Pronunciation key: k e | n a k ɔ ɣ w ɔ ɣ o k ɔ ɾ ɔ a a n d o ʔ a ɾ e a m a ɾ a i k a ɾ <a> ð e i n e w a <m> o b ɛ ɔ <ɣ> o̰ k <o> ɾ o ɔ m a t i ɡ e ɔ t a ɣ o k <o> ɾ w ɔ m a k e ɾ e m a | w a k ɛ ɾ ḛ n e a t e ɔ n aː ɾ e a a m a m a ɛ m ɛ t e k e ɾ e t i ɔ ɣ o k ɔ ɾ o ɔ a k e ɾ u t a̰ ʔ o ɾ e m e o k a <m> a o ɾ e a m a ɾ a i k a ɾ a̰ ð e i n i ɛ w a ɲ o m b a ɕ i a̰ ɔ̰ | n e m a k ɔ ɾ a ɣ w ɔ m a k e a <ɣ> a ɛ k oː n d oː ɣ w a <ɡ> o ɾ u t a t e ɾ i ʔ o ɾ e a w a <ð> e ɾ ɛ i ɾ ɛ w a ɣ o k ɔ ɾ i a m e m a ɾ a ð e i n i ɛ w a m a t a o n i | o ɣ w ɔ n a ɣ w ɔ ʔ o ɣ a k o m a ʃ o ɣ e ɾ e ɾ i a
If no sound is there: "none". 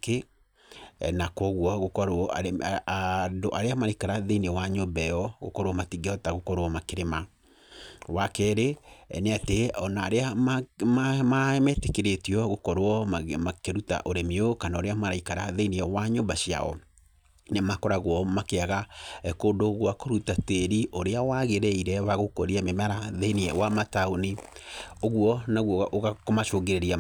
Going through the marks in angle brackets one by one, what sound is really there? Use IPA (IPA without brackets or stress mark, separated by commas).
a, ɲ, ɣ, ɔ, ɔ, n, ɣ, k, ɣ